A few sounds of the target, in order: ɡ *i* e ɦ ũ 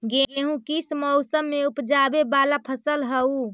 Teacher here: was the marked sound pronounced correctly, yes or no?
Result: no